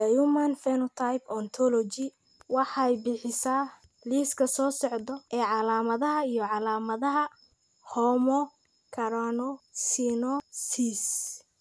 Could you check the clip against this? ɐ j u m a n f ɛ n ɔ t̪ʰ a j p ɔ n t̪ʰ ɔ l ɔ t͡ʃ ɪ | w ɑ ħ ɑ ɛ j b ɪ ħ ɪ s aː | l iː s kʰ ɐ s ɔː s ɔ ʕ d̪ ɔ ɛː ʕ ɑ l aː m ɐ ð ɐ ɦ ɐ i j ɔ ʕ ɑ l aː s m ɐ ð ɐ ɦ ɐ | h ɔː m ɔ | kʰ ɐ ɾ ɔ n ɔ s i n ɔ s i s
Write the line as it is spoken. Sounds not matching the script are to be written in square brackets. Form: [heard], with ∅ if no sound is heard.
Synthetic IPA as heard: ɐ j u m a n f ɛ n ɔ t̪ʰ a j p ɔ n t̪ʰ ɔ l ɔ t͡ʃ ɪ | w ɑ ħ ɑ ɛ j b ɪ ħ ɪ s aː | l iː s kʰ ɐ s ɔː s ɔ ʕ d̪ ɔ ɛː ʕ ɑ l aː m ɐ ð ɐ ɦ ɐ i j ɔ ʕ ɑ l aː [∅] m ɐ ð ɐ ɦ ɐ | h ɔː m ɔ | kʰ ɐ ɾ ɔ n ɔ s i n ɔ s i s